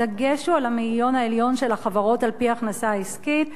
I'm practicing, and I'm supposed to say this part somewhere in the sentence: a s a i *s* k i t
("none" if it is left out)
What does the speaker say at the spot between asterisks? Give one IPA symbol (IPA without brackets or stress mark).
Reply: s